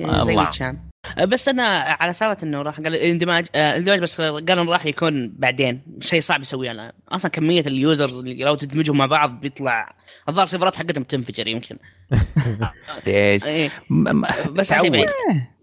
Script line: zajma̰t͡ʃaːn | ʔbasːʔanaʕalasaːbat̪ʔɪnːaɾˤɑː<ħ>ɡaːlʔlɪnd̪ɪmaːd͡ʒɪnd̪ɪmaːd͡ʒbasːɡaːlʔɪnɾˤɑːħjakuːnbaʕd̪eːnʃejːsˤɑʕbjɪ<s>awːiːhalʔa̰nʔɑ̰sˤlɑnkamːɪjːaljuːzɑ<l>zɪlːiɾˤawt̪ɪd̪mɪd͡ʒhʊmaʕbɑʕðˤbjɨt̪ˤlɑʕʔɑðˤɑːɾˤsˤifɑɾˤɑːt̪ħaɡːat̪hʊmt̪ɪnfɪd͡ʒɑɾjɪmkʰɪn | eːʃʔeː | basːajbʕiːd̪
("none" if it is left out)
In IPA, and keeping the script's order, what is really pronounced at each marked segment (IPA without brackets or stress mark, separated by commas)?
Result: ħ, s, ɾ